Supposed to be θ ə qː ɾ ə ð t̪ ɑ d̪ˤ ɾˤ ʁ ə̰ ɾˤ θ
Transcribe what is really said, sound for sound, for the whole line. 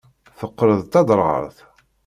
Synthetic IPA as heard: θ ə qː ɾ ə ð t̪ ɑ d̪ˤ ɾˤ ʁ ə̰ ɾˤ θ